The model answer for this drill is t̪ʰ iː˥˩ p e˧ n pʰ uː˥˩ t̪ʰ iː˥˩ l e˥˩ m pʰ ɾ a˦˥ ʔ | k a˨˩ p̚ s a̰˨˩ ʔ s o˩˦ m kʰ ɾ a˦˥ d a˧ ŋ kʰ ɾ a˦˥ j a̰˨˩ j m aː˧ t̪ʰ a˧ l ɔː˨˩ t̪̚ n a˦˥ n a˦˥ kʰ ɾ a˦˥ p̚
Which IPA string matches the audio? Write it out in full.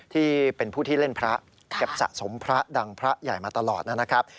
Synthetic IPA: t̪ʰ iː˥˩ p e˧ n pʰ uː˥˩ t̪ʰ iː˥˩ l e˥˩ n pʰ ɾ a˦˥ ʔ | k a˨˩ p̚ s a̰˨˩ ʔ s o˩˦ m pʰ ɾ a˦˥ d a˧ ŋ pʰ ɾ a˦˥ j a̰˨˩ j m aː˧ t̪ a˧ l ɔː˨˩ t̪̚ n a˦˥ n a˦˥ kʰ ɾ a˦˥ p̚